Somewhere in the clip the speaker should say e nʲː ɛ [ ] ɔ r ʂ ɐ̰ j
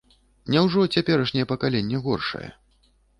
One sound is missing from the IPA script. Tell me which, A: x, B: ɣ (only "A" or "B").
B